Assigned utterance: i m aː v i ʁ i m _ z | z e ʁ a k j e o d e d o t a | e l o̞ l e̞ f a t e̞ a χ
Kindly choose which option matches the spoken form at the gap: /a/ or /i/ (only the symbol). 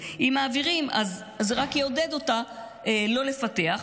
a